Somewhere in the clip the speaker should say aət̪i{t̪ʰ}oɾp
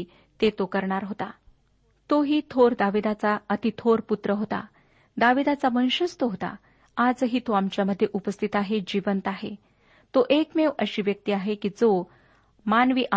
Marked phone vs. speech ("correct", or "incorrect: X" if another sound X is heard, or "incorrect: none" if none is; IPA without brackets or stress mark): correct